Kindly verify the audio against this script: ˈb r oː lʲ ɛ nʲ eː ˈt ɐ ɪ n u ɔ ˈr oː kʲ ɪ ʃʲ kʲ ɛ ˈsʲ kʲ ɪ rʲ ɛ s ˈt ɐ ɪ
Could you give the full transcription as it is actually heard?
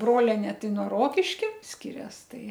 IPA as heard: ˈb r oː lʲ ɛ nʲ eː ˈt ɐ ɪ n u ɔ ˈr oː kʲ ɪ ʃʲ kʲ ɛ ˈsʲ kʲ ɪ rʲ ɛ s ˈt ɐ ɪ